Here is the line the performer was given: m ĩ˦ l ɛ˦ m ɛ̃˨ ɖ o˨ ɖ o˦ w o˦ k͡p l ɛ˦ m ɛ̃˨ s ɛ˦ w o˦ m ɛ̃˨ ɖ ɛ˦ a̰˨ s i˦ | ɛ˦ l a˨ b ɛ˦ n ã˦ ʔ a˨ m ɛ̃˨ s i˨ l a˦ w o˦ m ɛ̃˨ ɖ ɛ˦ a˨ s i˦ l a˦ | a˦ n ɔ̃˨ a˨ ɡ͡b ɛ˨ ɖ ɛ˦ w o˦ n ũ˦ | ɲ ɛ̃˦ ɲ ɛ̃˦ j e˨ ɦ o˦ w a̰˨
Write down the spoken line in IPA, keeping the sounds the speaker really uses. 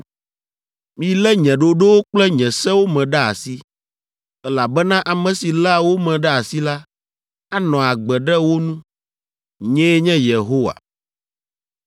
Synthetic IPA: m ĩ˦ l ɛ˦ ɲ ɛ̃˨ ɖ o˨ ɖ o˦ w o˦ k͡p l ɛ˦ ɲ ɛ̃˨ s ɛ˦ w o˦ m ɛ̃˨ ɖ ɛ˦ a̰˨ s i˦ | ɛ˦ l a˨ b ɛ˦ n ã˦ ʔ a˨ m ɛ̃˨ s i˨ l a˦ w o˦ m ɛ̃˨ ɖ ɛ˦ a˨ s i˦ l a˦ | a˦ n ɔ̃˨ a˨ ɡ͡b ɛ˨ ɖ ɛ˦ w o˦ n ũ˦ | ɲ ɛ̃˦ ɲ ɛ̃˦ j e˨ ɦ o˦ w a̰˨